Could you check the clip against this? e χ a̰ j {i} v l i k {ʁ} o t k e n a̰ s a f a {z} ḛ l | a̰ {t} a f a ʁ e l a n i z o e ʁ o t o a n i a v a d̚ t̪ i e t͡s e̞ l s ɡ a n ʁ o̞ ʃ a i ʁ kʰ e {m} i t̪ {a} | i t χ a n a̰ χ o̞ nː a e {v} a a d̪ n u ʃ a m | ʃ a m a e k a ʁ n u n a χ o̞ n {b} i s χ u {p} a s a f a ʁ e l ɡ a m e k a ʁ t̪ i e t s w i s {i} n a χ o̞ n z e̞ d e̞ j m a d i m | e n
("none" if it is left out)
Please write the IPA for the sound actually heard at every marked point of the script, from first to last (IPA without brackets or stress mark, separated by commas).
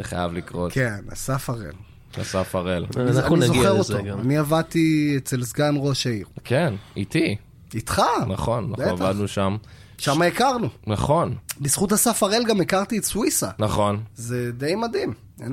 a, ʁ, ʁ, s, n, i, v, b, t, a